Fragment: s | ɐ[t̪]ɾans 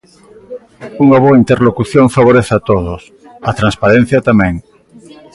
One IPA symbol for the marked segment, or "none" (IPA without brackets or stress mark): t̪